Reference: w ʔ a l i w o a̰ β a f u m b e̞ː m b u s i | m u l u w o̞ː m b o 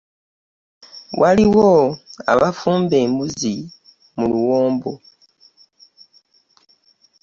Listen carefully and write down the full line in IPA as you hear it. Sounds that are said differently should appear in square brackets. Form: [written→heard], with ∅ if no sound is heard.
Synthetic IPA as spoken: w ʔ a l i w o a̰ β a f [u→uː] m b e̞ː m b u [s→z] i | m u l u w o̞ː m b o